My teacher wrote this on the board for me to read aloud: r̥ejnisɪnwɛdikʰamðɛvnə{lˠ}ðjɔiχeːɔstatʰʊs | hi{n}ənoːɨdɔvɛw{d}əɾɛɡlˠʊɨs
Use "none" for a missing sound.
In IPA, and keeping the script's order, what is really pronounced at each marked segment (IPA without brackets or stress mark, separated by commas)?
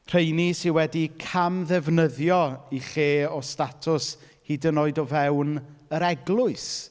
none, d, n